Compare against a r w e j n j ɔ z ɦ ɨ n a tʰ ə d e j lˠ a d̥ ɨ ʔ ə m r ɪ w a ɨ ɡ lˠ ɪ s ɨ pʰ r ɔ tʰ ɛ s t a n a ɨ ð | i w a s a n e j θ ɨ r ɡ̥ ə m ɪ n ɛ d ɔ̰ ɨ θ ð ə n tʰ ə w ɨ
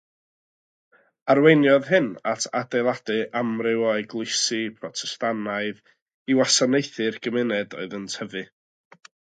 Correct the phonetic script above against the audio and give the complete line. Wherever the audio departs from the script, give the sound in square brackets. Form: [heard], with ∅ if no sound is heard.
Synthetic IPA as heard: a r w e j n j ɔ [ð] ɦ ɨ n a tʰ [a] d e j lˠ a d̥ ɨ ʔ [a] m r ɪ w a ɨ ɡ lˠ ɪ s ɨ pʰ r ɔ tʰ ɛ s t a n a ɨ ð | i w a s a n e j θ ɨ r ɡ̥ ə m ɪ n ɛ d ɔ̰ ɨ [∅] ð ə n tʰ ə [v] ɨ